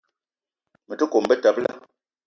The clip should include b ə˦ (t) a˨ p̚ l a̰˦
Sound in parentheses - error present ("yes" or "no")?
no